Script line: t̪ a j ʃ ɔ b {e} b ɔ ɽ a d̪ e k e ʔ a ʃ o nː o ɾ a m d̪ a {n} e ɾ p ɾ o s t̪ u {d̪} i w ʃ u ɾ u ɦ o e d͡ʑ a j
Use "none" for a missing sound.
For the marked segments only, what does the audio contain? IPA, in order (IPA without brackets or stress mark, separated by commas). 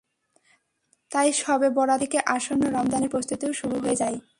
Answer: e, n, t̪